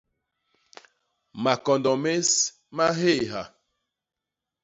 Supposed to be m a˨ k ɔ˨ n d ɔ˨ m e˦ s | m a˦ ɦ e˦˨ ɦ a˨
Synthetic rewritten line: m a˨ k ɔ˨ n d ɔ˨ m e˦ s | m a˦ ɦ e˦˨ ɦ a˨